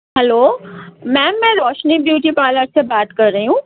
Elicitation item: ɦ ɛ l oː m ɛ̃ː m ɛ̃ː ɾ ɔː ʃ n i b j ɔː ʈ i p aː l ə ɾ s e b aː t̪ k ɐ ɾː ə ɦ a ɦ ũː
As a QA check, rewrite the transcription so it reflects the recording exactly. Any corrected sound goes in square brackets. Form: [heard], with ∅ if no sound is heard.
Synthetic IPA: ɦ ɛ l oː m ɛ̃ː m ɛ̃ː ɾ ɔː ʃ n i b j [uː] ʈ i p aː l ə ɾ s e b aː t̪ k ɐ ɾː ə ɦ [i] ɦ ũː